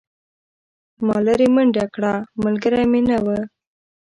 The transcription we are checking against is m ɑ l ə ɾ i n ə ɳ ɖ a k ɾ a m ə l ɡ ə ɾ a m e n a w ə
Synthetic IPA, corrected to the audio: m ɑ l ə ɾ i m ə ɳ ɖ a k ɽ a m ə l ɡ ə ɾ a m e n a w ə